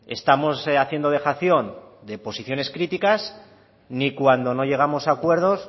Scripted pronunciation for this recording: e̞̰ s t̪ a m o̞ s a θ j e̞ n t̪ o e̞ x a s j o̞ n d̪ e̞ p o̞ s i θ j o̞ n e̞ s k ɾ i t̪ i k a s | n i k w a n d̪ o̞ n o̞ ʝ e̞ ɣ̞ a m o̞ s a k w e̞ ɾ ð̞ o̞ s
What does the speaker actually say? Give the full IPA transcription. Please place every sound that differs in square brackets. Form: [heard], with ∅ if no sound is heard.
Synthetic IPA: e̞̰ s t̪ a m o̞ s a θ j e̞ n [d̪] o e̞ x a [θ] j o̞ n d̪ e̞ p o̞ s i θ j o̞ n e̞ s k ɾ i t̪ i k a s | n i k w a n d̪ o̞ n o̞ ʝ e̞ ɣ̞ a m o̞ s a k w e̞ ɾ ð̞ o̞ s

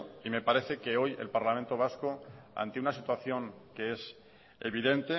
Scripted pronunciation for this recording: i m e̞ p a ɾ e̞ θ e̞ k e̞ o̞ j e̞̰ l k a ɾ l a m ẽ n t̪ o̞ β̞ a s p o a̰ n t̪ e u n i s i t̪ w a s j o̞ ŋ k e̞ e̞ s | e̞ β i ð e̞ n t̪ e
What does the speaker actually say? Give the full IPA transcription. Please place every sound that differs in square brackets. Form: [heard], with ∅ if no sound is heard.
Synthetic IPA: i m e̞ p a ɾ e̞ θ e̞ k e̞ o̞ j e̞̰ l [p] a ɾ l a m ẽ n t̪ o̞ β̞ a s [k] o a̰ n t̪ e u n [a] s i t̪ w a [θ] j o̞ ŋ k e̞ e̞ s | e̞ β i ð e̞ n t̪ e

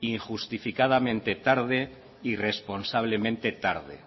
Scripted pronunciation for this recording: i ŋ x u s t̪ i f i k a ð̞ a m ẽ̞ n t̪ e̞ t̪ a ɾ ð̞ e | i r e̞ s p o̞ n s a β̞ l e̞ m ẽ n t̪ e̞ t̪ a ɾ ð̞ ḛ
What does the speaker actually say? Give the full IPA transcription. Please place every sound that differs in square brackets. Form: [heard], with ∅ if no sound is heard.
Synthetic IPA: i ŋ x u s t̪ i f i k a ð̞ a m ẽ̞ n t̪ e̞ t̪ a ɾ ð̞ e | i r e̞ s p o̞ n s a β̞ l e̞ m ẽ n t̪ e̞ t̪ a ɾ ð̞ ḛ

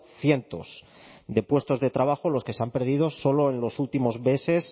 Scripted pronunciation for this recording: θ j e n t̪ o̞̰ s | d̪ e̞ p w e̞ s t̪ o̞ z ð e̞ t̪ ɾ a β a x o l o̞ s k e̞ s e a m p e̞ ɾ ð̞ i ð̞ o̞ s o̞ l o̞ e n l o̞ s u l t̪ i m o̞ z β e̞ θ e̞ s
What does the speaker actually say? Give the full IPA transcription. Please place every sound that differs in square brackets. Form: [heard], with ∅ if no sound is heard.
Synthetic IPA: θ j e n t̪ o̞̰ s | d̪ e̞ p w e̞ s t̪ o̞ z ð e̞ t̪ ɾ a β a x o l o̞ s k e̞ s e a m p e̞ ɾ ð̞ i ð̞ o̞ s o̞ l o̞ e n l o̞ s u l t̪ i m o̞ z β e̞ [s] e̞ s

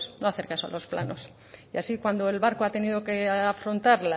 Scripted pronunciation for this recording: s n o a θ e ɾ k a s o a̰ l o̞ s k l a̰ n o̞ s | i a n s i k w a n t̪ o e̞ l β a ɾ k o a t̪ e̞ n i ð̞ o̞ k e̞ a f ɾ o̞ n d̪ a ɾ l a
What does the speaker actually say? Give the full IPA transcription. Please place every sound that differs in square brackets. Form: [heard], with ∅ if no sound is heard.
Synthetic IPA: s n o a θ e ɾ k a s o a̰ l o̞ s [p] l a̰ n o̞ s | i a [∅] s i k w a n [d̪] o e̞ l β a ɾ k o a t̪ e̞ n i ð̞ o̞ k e̞ a f ɾ o̞ n [t̪] a ɾ l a

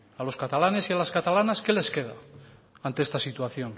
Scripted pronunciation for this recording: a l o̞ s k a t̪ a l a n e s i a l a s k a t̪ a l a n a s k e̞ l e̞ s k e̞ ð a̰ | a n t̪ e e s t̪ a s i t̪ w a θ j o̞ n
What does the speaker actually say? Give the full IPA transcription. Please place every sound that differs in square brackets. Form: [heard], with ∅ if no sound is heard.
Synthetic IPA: a l o̞ s k a t̪ a l a n e s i a l a s k a t̪ a l a n a s k e̞ l e̞ s k e̞ ð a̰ | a n t̪ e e s t̪ a s i t̪ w a θ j o̞ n

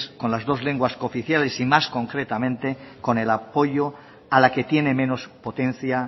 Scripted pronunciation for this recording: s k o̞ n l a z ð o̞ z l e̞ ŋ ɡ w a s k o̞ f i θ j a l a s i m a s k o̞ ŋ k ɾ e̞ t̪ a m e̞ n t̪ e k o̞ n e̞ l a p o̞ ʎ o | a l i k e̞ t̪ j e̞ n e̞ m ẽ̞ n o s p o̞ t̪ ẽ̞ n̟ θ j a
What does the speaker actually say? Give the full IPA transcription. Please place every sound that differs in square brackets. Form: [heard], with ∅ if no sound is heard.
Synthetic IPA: s k o̞ n l a z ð o̞ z l e̞ ŋ ɡ w a s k o̞ f i θ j a l [e] s i m a s k o̞ ŋ k ɾ e̞ t̪ a m [ẽ̞] n t̪ e k o̞ n e̞ l a p o̞ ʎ o | a l [a] k e̞ t̪ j e̞ n e̞ m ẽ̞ n o s p o̞ t̪ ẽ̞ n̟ θ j a

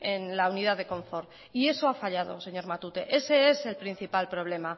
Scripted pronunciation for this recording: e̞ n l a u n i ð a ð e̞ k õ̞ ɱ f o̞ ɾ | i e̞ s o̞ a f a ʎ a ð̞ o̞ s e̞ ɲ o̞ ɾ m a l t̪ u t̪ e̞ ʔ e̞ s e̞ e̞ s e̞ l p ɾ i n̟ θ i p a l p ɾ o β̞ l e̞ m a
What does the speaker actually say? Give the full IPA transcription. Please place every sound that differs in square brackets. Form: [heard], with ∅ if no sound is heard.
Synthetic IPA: e̞ n l a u n i ð a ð e̞ k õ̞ ɱ f o̞ ɾ | i e̞ s o̞ a f a ʎ a ð̞ o̞ s e̞ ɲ o̞ ɾ m a [∅] t̪ u t̪ e̞ ʔ e̞ s e̞ e̞ s e̞ l p ɾ i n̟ θ i p a l p ɾ o β̞ l e̞ m a

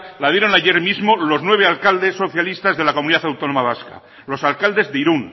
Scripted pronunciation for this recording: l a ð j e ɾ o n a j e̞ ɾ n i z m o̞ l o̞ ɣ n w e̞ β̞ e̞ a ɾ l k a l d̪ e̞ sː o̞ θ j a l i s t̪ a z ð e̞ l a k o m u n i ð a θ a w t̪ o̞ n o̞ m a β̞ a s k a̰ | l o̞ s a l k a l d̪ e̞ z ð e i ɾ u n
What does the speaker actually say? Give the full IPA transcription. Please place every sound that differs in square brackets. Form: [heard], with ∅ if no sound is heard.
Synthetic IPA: l a ð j e ɾ o n a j e̞ ɾ [m] i z m o̞ l o̞ [z] n w e̞ β̞ e̞ a [∅] l k a l d̪ e̞ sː o̞ θ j a l i s t̪ a z ð e̞ l a k o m u n i ð a θ a w t̪ o̞ n o̞ m a β̞ a s k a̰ | l o̞ s a l k a l d̪ e̞ z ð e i ɾ u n

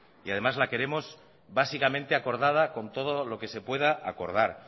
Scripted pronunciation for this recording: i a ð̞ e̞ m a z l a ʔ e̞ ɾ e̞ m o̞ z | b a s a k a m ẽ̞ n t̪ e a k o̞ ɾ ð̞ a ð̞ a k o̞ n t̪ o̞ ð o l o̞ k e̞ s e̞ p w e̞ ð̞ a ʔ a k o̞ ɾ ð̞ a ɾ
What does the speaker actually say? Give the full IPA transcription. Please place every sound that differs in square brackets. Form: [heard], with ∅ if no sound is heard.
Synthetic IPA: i a ð̞ e̞ m a z l a [k] e̞ ɾ e̞ m o̞ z | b a s [i] k a m ẽ̞ n t̪ e a k o̞ ɾ ð̞ a ð̞ a k o̞ n t̪ o̞ ð o l o̞ k e̞ s e̞ p w e̞ ð̞ a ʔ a k o̞ ɾ ð̞ a ɾ

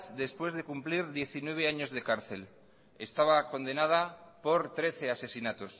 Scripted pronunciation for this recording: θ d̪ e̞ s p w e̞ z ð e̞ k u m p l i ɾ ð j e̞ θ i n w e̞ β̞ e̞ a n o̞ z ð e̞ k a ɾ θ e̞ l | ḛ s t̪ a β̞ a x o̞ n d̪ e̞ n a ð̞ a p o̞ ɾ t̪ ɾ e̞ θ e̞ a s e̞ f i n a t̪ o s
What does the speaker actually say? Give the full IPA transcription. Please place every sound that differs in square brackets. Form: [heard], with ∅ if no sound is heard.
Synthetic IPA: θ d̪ e̞ s p w e̞ z ð e̞ k u m p l i ɾ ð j e̞ θ i n w e̞ β̞ e̞ a [ɲ] o̞ z ð e̞ k a ɾ θ e̞ l | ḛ s t̪ a β̞ a [k] o̞ n d̪ e̞ n a ð̞ a p o̞ ɾ t̪ ɾ e̞ θ e̞ a s e̞ [s] i n a t̪ o s

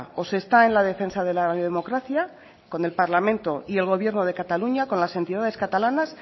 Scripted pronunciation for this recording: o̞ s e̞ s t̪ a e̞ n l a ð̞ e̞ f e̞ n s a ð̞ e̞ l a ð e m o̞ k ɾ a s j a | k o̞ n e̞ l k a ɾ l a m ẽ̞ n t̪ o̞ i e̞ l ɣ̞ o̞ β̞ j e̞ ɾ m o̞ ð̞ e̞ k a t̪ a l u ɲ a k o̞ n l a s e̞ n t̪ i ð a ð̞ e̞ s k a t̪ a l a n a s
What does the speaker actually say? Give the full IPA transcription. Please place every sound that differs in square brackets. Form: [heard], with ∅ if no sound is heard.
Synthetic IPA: o̞ s e̞ s t̪ a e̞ n l a ð̞ e̞ f e̞ n s a ð̞ e̞ l a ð e m o̞ k ɾ a [θ] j a | k o̞ n e̞ l [p] a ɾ l a m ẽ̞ n t̪ o̞ i e̞ l ɣ̞ o̞ β̞ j e̞ ɾ [n] o̞ ð̞ e̞ k a t̪ a l u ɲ a k o̞ n l a s e̞ n t̪ i ð a ð̞ e̞ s k a t̪ a l a n a s

